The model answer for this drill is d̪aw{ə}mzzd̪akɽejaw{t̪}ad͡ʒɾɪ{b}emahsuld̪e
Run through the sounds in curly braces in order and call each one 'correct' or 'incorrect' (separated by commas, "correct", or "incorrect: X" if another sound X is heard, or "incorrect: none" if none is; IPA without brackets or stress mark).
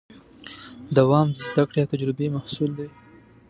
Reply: incorrect: ɑ, correct, correct